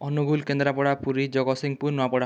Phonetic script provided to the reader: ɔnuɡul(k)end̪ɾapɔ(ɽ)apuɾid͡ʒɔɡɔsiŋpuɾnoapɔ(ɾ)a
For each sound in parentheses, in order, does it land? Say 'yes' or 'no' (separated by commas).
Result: yes, yes, no